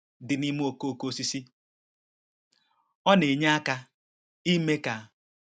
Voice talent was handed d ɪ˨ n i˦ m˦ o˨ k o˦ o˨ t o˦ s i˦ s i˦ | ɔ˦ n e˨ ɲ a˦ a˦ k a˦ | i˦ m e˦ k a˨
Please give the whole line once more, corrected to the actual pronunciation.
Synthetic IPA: d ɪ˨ n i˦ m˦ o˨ k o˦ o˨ k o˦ s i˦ s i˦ | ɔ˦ n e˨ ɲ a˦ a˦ k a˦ | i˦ m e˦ k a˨